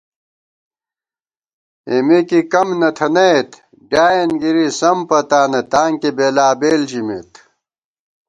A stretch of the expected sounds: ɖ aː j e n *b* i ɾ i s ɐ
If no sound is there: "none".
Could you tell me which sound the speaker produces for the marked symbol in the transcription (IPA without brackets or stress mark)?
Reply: ɡ